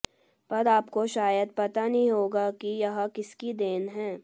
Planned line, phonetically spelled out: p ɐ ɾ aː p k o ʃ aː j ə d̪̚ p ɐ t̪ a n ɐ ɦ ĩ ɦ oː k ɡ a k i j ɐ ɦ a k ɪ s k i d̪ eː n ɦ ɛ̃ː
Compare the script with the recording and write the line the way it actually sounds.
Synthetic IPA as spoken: p ɐ ɾ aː p k o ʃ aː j ə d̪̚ p ɐ t̪ a n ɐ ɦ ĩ ɦ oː ɡ a k i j ɐ ɦ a k ɪ s k i d̪ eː n ɦ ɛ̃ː